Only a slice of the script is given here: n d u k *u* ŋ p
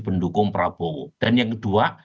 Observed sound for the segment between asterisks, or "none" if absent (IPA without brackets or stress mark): ʊ